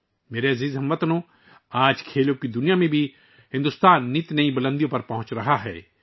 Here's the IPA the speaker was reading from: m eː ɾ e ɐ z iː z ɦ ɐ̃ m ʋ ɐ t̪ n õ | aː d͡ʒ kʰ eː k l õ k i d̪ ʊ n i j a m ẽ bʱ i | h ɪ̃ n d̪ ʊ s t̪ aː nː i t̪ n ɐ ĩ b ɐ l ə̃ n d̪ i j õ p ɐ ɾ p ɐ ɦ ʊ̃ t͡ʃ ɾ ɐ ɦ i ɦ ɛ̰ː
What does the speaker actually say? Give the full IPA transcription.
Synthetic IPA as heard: m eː ɾ e ɐ z iː z ɦ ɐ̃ m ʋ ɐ t̪ n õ | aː d͡ʒ kʰ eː l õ k i d̪ ʊ n i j a m ẽ bʱ i | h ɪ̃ n d̪ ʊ s t̪ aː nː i t̪ n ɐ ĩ b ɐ l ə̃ n d̪ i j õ p ɐ ɾ p ɐ ɦ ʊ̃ t͡ʃ ɾ ɐ ɦ a ɦ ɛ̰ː